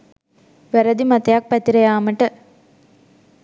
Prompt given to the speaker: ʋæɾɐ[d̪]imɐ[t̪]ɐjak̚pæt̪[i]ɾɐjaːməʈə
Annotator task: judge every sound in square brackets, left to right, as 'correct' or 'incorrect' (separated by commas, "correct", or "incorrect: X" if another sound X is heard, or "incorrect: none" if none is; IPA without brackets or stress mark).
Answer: correct, correct, correct